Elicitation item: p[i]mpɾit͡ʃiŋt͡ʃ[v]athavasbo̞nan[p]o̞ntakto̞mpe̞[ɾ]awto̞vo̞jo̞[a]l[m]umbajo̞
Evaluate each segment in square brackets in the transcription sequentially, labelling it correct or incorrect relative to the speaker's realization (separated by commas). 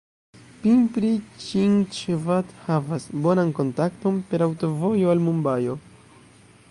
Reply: correct, correct, incorrect, correct, correct, correct